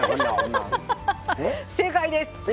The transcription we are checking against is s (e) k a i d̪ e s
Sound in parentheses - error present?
no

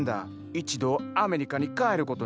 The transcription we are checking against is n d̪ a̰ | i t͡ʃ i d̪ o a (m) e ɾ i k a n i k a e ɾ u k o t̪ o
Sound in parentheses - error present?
no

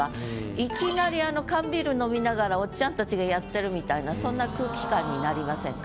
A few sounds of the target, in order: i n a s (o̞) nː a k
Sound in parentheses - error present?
yes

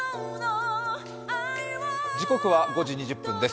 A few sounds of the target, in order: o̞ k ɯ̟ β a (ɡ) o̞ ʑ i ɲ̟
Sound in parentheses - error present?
no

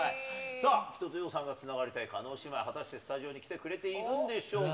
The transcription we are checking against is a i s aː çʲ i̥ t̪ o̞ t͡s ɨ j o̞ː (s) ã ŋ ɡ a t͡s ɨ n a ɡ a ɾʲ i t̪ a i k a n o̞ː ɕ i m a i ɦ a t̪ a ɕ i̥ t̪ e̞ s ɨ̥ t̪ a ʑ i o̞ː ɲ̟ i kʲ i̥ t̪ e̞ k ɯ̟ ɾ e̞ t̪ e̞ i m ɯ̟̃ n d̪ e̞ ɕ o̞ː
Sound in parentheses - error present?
no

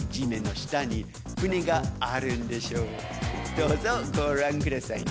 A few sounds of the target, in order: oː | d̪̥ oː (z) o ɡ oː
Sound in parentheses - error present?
no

